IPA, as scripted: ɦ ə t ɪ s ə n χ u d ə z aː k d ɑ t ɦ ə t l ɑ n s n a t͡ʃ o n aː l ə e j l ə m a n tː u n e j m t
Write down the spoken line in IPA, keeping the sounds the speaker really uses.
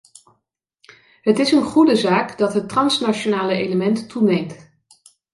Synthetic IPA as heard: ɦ ə t ɪ s ə n χ u d ə z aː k d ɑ t ɦ ə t r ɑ n s n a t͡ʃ o n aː l ə e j l ə m ɛ n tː u n e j m t